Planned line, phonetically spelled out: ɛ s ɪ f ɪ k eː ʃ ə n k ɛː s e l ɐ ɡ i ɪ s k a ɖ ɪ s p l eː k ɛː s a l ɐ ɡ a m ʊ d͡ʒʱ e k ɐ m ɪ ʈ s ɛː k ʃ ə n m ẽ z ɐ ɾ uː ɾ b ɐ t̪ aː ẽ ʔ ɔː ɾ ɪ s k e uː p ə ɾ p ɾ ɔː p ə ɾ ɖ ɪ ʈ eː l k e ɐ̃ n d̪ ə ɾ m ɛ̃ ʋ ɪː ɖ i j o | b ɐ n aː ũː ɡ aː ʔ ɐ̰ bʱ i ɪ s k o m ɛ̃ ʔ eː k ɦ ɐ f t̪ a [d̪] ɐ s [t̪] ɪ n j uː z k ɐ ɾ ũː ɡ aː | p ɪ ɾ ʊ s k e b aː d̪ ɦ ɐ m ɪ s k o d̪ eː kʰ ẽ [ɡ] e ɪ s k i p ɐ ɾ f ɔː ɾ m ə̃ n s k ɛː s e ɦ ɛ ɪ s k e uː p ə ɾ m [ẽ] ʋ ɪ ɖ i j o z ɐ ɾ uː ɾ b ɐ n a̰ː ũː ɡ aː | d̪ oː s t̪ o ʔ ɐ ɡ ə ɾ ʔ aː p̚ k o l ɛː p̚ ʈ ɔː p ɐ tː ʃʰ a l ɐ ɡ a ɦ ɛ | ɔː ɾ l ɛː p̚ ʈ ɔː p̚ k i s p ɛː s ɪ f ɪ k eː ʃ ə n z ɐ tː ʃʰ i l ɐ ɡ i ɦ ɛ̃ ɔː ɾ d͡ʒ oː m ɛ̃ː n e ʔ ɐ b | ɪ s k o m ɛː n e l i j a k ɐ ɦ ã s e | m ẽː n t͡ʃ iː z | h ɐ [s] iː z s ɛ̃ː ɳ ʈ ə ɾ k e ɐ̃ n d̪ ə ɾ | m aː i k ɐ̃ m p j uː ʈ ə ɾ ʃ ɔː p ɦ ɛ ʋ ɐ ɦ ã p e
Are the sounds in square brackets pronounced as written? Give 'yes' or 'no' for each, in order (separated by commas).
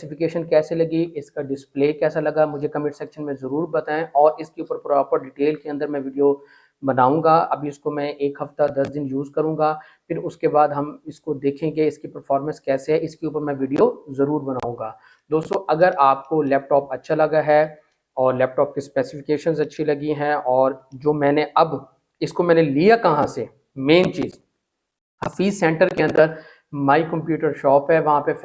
yes, no, yes, no, no